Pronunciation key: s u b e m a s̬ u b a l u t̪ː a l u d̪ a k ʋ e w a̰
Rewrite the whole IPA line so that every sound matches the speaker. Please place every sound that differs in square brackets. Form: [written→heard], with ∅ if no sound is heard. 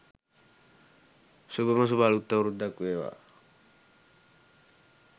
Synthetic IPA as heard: s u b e m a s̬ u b a l u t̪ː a [l→ɾ] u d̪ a k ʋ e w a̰